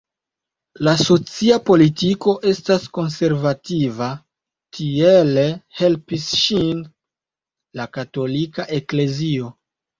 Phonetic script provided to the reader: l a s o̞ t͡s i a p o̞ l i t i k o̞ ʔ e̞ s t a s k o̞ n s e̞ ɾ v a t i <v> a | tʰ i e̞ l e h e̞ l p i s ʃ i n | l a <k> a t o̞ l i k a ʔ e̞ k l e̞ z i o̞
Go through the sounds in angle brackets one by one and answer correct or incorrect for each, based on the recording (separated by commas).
correct, correct